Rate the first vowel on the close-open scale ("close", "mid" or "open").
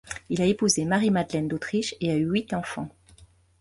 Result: close